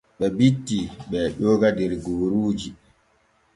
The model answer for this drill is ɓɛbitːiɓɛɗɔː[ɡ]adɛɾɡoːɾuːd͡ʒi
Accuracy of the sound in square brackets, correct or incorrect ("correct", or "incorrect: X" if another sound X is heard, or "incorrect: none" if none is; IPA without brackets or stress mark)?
correct